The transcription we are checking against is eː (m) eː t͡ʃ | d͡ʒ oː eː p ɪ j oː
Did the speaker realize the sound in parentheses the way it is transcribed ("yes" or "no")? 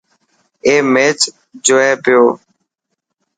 yes